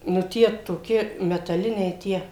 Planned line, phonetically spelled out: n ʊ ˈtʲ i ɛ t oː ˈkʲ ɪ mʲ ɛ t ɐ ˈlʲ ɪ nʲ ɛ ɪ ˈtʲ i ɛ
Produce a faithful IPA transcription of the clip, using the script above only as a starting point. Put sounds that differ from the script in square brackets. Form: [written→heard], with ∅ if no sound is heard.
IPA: n ʊ ˈtʲ i ɛ t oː ˈkʲ ɪ mʲ ɛ t ɐ ˈlʲ ɪ nʲ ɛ ɪ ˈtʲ i ɛ

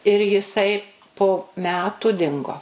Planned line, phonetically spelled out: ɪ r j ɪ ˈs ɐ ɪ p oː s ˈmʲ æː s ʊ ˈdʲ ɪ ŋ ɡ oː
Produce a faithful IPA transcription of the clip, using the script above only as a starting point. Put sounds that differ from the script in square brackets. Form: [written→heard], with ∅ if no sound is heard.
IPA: ɪ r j ɪ ˈs ɐ ɪ p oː [s→∅] ˈmʲ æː [s→t] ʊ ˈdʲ ɪ ŋ ɡ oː

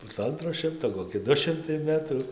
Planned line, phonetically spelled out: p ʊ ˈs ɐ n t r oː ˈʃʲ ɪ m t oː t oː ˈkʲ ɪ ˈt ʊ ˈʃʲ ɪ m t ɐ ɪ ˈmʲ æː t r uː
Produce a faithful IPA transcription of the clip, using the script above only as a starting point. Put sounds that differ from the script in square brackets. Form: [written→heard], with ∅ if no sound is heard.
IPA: p ʊ ˈs ɐ n t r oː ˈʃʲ ɪ m t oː [t→k] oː ˈkʲ ɪ [ˈt→ˈd] ʊ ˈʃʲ ɪ m t ɐ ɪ ˈmʲ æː t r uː

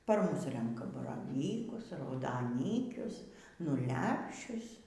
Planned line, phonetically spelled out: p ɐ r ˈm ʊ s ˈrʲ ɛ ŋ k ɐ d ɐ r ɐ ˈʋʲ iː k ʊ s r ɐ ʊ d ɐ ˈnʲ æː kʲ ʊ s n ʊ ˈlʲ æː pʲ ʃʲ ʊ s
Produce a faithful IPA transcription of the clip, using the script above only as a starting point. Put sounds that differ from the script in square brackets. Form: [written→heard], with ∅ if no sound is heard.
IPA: p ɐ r ˈm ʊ s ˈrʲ ɛ ŋ k ɐ [d→b] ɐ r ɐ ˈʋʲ iː k ʊ s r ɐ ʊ d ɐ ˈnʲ [æː→iː] kʲ ʊ s n ʊ ˈlʲ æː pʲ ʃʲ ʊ s

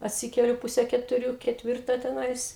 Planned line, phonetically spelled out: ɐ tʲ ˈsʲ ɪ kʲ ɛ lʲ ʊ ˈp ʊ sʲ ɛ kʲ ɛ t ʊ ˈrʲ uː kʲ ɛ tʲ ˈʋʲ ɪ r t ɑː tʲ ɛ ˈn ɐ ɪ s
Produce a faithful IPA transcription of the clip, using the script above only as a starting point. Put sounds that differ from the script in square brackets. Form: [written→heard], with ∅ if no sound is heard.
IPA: ɐ tʲ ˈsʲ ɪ kʲ ɛ lʲ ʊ ˈp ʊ sʲ ɛ kʲ ɛ t ʊ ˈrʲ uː kʲ ɛ tʲ ˈʋʲ ɪ r t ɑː tʲ ɛ ˈn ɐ ɪ s

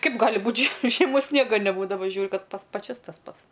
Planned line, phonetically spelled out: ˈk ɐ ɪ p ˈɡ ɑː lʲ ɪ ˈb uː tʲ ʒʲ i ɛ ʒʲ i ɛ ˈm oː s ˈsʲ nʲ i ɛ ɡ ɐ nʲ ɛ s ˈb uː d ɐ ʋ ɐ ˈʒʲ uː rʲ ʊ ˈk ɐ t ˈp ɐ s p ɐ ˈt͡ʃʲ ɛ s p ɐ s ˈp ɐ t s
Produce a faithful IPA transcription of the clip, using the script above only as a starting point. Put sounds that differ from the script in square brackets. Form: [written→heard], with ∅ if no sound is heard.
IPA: ˈk ɐ ɪ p ˈɡ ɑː lʲ ɪ ˈb uː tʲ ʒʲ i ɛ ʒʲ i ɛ ˈm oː s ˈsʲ nʲ i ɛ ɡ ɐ nʲ ɛ [s→∅] ˈb uː d ɐ ʋ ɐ ˈʒʲ uː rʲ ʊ ˈk ɐ t ˈp ɐ s p ɐ ˈt͡ʃʲ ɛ s [p→t] ɐ s ˈp ɐ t s

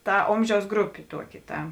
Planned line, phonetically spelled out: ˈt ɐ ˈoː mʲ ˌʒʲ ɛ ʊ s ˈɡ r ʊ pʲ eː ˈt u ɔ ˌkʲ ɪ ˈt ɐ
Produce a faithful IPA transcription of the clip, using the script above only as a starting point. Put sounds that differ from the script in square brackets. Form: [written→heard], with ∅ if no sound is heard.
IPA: ˈt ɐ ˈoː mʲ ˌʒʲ ɛ ʊ s ˈɡ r ʊ pʲ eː ˈt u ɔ ˌkʲ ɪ ˈt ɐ

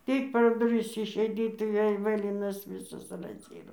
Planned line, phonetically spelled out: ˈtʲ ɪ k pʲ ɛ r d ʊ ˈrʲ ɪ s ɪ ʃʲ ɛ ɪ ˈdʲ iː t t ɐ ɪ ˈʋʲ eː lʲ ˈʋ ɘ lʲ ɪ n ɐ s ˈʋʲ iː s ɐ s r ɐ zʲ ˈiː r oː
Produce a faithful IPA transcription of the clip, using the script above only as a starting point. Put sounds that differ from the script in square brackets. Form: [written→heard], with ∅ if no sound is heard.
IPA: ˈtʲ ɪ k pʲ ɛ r d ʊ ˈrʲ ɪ s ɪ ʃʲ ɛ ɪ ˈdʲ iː t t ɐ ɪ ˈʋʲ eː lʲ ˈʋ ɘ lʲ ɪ n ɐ s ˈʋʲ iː s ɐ s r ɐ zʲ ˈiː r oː

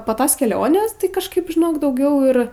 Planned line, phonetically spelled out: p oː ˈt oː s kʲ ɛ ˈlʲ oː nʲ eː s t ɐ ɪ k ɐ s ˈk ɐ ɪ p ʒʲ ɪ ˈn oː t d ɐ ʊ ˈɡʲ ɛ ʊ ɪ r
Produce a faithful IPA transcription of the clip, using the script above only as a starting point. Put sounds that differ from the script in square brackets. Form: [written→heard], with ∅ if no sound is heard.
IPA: p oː ˈt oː s kʲ ɛ ˈlʲ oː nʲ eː s t ɐ ɪ k ɐ [s→ʃ] ˈk ɐ ɪ p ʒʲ ɪ ˈn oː [t→k] d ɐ ʊ ˈɡʲ ɛ ʊ ɪ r

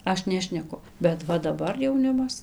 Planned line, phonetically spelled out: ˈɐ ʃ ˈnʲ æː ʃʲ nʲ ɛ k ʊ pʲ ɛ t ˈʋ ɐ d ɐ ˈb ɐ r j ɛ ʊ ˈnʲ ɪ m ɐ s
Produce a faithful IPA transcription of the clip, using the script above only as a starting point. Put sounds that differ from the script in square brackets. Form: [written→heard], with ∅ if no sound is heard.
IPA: ˈɐ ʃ ˈnʲ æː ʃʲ nʲ ɛ k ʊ [pʲ→bʲ] ɛ t ˈʋ ɐ d ɐ ˈb ɐ r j ɛ ʊ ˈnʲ ɪ m ɐ s

